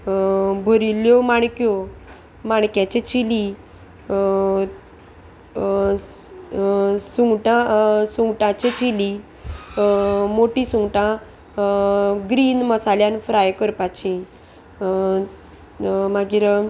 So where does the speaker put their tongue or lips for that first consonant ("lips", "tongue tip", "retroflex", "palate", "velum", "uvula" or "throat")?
lips